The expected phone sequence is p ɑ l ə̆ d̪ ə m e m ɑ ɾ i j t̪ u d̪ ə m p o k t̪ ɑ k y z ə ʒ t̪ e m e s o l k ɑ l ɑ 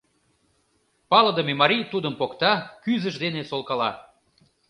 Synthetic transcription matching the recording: p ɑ l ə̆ d̪ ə m e m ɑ ɾ i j t̪ u d̪ ə m p o k t̪ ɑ k y z ə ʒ d̪ e n e s o l k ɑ l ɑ